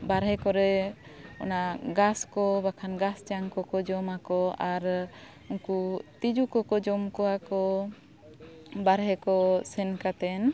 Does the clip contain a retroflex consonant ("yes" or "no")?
no